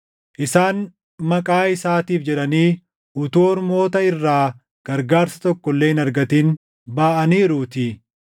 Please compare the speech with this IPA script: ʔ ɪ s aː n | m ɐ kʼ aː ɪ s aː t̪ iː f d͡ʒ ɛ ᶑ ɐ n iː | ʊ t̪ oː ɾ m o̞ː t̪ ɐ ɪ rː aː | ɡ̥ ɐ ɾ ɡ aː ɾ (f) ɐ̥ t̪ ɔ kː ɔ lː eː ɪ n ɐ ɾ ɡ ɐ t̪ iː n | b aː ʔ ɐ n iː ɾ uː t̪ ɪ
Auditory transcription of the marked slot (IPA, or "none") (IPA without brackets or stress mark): s